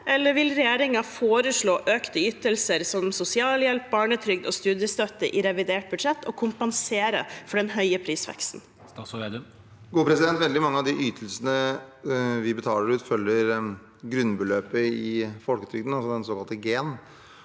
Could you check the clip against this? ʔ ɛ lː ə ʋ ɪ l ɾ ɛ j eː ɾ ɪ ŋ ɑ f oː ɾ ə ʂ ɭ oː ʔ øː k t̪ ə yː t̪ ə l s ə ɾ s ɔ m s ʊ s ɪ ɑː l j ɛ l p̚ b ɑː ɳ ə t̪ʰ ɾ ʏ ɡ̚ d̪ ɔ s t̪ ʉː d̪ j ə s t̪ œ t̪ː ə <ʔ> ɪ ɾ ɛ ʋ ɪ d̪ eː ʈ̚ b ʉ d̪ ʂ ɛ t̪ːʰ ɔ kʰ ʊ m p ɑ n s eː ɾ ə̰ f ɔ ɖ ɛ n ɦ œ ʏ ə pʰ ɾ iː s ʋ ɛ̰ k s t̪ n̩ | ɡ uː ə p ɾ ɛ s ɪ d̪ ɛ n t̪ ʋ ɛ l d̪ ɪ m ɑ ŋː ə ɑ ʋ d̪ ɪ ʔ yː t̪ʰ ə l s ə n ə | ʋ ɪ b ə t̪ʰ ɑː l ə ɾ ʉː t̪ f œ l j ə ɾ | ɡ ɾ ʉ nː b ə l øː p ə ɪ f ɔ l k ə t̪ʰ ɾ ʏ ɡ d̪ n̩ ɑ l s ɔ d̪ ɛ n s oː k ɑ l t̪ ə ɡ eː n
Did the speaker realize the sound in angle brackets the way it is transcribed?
yes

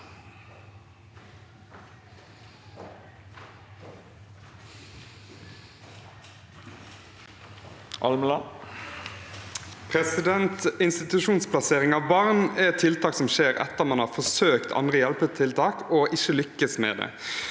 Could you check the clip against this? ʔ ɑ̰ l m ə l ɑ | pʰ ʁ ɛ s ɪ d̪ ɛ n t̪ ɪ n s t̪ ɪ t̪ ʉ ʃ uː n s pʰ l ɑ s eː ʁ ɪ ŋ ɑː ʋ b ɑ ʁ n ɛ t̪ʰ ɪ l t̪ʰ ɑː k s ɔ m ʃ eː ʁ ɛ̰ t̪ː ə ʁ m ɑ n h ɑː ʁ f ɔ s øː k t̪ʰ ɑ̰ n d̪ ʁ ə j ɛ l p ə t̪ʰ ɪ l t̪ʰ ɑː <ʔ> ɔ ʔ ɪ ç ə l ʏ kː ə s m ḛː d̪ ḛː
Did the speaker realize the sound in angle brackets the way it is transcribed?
no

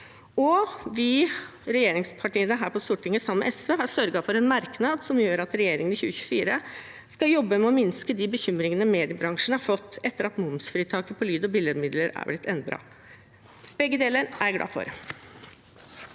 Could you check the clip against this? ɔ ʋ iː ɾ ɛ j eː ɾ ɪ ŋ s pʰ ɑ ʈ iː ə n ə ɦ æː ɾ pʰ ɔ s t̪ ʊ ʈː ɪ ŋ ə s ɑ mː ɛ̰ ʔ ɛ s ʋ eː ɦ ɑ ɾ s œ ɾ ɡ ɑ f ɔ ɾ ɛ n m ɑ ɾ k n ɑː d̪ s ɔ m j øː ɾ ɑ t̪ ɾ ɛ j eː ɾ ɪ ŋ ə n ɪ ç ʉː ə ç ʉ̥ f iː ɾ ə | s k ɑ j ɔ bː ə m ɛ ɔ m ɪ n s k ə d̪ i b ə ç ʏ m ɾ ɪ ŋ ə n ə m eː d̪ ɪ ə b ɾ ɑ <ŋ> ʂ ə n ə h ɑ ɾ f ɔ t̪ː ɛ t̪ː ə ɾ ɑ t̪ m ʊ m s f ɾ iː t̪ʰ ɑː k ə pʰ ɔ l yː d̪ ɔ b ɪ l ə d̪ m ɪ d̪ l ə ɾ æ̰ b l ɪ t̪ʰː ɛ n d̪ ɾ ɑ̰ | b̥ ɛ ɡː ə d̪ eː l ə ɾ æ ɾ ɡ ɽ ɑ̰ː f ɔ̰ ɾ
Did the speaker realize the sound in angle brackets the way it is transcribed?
yes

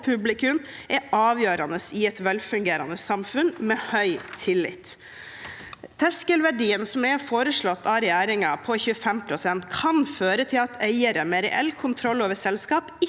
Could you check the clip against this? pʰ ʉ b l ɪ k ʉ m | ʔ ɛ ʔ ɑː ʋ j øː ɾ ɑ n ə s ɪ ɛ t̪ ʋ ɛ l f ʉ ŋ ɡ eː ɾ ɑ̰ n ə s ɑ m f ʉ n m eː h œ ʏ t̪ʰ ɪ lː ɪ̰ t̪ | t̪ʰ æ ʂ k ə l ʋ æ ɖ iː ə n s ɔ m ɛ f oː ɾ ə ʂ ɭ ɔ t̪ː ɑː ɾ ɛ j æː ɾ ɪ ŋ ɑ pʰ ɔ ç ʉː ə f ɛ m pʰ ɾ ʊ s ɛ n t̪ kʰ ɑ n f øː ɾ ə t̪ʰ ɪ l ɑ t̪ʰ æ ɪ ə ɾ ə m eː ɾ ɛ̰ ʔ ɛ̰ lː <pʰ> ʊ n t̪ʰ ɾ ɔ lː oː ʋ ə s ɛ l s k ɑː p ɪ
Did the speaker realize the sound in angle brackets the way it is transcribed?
no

